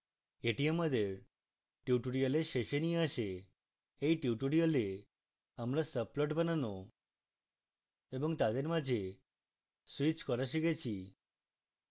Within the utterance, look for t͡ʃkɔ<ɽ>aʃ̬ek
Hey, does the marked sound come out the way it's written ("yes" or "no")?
no